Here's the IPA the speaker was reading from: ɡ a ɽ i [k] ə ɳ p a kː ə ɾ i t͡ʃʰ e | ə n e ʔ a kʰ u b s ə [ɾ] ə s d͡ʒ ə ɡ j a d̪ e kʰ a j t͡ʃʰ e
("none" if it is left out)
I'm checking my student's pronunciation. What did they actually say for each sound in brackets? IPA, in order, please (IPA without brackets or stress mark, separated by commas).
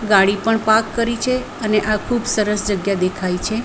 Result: p, ɾ